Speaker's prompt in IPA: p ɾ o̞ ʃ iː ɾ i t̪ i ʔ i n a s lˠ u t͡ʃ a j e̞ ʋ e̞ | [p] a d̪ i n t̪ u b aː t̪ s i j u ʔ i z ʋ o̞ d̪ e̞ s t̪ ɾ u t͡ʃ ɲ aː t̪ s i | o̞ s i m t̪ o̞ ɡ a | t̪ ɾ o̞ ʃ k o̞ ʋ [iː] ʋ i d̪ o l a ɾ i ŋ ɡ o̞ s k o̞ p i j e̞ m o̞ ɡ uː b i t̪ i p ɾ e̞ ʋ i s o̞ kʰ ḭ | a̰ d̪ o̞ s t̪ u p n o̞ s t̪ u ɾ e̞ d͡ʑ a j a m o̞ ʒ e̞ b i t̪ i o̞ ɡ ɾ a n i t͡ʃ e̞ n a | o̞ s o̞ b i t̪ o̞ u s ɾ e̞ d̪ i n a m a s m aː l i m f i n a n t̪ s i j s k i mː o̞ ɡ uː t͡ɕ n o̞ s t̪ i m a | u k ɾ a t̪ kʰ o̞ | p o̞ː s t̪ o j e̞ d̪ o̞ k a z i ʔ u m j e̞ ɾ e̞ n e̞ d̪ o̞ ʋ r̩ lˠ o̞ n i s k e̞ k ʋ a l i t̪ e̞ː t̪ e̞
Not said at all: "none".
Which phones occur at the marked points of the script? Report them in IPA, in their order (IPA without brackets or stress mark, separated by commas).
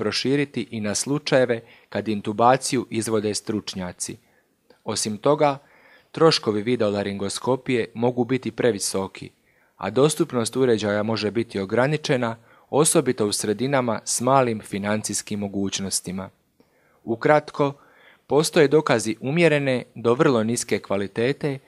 k, i